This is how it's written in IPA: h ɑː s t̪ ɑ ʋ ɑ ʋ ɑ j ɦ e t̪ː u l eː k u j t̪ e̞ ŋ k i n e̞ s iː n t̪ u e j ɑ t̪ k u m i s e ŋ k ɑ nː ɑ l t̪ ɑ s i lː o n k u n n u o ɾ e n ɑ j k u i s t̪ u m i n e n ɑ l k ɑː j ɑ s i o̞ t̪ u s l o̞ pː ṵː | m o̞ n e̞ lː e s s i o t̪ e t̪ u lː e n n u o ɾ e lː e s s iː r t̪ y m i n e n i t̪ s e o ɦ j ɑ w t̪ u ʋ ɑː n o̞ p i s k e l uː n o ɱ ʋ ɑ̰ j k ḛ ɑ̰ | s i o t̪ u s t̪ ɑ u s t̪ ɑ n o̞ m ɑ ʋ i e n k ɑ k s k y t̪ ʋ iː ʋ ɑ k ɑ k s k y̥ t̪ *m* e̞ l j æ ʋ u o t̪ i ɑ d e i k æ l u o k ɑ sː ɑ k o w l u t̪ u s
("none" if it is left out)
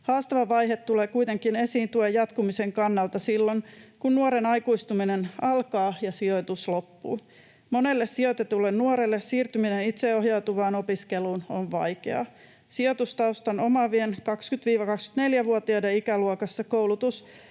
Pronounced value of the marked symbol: n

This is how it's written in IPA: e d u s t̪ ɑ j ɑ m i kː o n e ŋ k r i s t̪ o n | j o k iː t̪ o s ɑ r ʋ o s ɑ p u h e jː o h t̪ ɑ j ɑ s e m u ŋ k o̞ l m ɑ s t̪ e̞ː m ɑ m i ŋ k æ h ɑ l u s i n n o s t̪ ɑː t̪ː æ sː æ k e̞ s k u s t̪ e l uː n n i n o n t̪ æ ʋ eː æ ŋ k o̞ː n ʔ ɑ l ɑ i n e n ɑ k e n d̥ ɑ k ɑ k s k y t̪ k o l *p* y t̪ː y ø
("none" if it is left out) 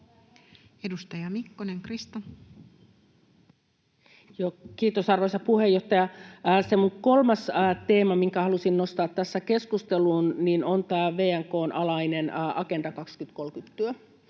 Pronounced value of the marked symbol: k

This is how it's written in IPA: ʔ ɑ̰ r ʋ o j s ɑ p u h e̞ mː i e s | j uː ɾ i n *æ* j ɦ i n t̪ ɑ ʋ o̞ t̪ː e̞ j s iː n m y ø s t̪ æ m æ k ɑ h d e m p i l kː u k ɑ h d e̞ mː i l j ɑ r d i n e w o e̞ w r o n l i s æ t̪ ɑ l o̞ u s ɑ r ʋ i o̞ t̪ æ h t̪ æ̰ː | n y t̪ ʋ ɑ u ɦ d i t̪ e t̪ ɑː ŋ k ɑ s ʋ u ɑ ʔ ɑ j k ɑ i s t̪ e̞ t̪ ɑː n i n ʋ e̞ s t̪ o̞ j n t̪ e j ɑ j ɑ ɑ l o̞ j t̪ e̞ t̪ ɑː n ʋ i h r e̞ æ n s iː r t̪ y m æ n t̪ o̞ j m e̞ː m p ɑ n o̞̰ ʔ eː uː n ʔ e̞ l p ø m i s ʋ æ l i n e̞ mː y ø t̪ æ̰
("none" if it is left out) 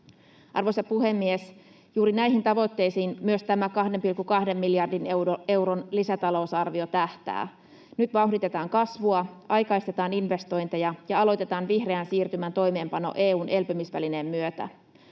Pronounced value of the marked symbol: æ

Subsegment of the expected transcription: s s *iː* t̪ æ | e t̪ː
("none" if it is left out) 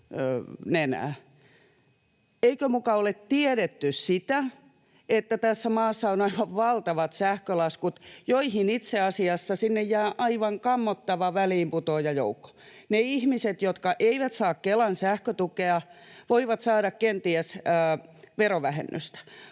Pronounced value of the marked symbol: i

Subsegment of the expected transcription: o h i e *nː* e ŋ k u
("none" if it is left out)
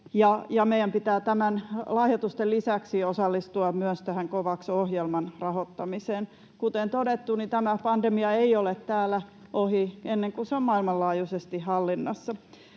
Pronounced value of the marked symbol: nː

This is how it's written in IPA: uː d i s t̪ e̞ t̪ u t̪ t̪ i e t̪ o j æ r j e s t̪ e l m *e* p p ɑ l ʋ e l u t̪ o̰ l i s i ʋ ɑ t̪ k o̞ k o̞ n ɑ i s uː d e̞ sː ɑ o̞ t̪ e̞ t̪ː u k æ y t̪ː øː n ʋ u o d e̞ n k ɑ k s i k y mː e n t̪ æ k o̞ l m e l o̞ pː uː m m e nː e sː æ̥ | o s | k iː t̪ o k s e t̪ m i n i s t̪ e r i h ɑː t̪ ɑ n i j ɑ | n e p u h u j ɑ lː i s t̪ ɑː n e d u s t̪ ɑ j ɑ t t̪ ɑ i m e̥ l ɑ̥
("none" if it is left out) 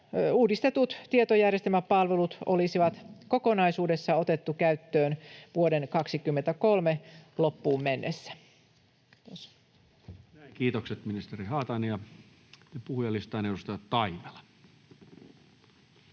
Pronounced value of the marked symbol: æ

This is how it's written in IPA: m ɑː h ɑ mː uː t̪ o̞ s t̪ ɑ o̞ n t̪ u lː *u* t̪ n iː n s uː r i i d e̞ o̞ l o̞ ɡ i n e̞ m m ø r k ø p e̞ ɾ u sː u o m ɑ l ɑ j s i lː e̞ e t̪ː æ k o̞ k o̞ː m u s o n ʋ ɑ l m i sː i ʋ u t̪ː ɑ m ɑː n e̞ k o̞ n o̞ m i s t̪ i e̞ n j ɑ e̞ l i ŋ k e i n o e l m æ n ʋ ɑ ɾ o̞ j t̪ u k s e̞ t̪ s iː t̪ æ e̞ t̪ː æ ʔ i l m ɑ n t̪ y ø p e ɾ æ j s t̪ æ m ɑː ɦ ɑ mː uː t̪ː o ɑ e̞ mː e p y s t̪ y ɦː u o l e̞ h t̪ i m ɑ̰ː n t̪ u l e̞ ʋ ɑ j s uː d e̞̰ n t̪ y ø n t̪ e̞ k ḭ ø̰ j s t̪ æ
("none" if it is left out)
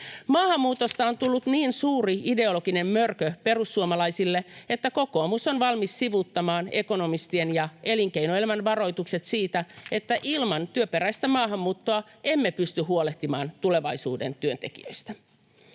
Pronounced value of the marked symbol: u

